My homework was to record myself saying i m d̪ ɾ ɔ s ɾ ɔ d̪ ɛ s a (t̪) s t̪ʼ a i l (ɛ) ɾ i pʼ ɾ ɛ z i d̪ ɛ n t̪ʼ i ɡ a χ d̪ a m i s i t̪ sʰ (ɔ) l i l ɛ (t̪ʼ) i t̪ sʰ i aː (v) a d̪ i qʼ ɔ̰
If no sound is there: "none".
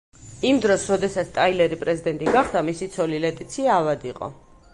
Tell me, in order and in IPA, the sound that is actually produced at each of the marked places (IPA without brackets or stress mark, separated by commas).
t̪, ɛ, ɔ, t̪ʼ, v